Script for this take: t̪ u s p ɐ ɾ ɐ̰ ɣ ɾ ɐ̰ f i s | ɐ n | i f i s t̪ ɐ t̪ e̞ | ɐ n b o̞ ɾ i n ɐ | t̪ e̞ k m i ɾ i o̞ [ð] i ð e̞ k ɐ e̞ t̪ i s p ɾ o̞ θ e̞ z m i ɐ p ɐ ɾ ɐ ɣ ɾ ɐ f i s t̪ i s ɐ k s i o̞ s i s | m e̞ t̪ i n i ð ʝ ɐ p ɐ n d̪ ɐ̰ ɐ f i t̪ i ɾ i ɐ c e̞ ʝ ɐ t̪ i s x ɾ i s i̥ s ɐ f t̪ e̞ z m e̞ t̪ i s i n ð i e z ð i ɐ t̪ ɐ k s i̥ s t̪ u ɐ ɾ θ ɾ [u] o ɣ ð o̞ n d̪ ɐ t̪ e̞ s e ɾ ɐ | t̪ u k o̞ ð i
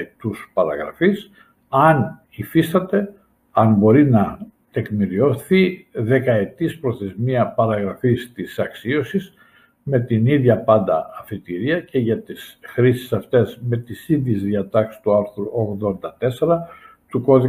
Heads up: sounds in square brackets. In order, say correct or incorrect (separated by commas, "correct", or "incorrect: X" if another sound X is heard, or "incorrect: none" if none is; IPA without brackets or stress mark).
incorrect: θ, correct